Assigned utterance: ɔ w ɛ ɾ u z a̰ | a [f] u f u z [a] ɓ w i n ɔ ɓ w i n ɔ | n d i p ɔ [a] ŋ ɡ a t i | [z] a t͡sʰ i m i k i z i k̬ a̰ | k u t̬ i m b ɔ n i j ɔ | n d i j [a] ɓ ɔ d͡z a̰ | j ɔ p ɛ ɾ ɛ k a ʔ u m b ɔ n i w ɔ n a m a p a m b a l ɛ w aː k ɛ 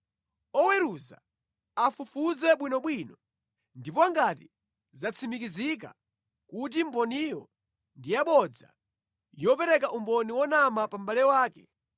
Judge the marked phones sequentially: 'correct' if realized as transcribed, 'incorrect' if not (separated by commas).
correct, incorrect, correct, correct, correct